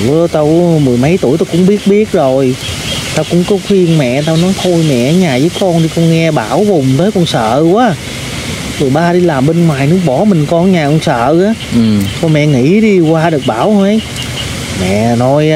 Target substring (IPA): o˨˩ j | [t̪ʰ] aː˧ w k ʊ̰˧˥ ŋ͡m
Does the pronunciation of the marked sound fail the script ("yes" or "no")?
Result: yes